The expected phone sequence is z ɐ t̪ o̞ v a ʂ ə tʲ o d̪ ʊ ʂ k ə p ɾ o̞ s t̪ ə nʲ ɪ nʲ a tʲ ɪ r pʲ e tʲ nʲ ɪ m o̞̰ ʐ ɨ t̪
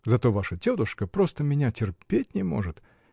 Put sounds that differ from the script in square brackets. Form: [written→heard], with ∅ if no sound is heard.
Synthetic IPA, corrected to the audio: z ɐ t̪ o̞ v a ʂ ə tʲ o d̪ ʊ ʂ k ə p ɾ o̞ s t̪ ə [nʲ→mʲ] ɪ nʲ a tʲ ɪ r pʲ e tʲ nʲ ɪ m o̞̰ ʐ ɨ t̪

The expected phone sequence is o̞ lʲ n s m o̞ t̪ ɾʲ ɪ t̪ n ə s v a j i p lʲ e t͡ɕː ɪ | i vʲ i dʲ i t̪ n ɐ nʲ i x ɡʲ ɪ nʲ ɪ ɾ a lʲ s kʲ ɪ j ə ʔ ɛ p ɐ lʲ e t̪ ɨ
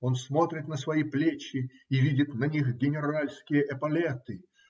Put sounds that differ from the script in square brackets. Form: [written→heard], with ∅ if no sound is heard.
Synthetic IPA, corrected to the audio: o̞ [lʲ→∅] n s m o̞ t̪ ɾʲ ɪ t̪ n ə s v [a→ɐ] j i p lʲ e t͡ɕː ɪ | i vʲ i dʲ [i→ɪ] t̪ n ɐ nʲ i x ɡʲ ɪ nʲ ɪ ɾ a lʲ s kʲ ɪ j ə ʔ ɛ p ɐ lʲ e t̪ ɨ

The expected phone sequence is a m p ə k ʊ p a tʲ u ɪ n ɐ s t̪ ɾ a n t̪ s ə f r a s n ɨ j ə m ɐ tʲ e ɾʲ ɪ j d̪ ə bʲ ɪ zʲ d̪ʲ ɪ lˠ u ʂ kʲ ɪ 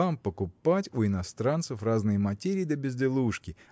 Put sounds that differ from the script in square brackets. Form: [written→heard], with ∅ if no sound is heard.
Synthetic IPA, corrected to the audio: a m p ə k ʊ p a tʲ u ɪ n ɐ s t̪ ɾ a n t̪ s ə f r a [s→z] n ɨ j ə m ɐ tʲ e ɾʲ ɪ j d̪ ə bʲ ɪ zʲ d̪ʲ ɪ lˠ u ʂ kʲ ɪ

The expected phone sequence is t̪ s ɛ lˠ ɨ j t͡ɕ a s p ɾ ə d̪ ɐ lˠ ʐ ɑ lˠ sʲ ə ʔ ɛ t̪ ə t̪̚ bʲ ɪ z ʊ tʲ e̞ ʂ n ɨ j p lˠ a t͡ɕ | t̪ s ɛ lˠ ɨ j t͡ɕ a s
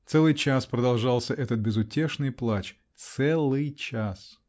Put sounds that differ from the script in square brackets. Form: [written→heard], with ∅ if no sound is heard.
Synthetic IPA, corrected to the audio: t̪ s ɛ lˠ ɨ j t͡ɕ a s p ɾ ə d̪ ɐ lˠ ʐ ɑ lˠ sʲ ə ʔ ɛ t̪ ə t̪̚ bʲ ɪ z ʊ tʲ e̞ ʂ n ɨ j p lˠ a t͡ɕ | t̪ s ɛ lˠ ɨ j t͡ɕ a s

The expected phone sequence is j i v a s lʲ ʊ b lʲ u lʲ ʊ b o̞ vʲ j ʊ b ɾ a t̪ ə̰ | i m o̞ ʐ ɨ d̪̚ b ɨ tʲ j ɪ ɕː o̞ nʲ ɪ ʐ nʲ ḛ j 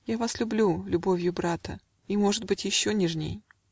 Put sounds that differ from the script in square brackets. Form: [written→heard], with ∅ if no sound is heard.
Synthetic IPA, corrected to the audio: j [i→a] v a s lʲ ʊ b lʲ u lʲ ʊ b o̞ vʲ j ʊ b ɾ a t̪ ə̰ | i m o̞ ʐ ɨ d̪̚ b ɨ tʲ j ɪ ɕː o̞ nʲ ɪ ʐ nʲ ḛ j

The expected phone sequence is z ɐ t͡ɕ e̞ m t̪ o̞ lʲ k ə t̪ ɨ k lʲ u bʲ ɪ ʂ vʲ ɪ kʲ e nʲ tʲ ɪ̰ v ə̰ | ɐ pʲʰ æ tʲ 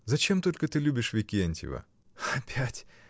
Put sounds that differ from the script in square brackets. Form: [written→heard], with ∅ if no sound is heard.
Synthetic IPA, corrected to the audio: z ɐ t͡ɕ e̞ m t̪ o̞ lʲ k ə t̪ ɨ [k→∅] lʲ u bʲ ɪ ʂ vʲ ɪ kʲ e nʲ tʲ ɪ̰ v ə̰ | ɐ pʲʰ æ tʲ

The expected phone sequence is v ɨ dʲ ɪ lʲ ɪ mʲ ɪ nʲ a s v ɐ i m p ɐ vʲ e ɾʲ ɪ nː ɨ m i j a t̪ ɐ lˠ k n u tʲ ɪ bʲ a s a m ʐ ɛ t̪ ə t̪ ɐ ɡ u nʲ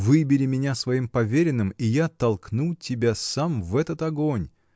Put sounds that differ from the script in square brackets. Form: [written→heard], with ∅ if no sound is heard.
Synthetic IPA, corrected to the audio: v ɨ [dʲ→bʲ] ɪ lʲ ɪ mʲ ɪ nʲ a s v ɐ i m p ɐ vʲ e ɾʲ ɪ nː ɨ m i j a t̪ ɐ lˠ k n u tʲ ɪ bʲ a s a m [ʐ→v] ɛ t̪ ə t̪ ɐ ɡ [u→o] nʲ

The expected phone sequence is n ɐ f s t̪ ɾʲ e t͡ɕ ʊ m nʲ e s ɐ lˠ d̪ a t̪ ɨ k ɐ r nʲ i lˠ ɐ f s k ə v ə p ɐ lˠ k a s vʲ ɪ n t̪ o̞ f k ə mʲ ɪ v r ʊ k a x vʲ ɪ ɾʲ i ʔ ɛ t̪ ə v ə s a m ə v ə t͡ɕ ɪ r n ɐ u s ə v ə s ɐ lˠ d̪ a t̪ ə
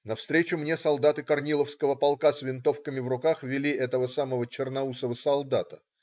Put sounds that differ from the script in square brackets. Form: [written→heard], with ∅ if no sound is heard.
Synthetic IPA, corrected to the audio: n ɐ f s t̪ ɾʲ e t͡ɕ ʊ m nʲ e s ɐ lˠ d̪ a t̪ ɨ k ɐ r nʲ i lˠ [ɐ→ə] f s k ə v ə p ɐ lˠ k a s vʲ ɪ n t̪ o̞ f k ə mʲ ɪ v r ʊ k a x vʲ ɪ [ɾʲ→lʲ] i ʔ ɛ t̪ ə v ə s a m ə v ə t͡ɕ ɪ r n ɐ u s ə v ə s ɐ lˠ d̪ a t̪ ə

